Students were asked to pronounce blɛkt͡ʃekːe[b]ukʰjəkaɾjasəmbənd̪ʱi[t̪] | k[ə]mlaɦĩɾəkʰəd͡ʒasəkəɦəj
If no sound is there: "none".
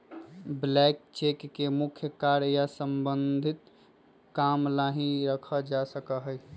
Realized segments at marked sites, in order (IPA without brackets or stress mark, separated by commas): m, t̪, a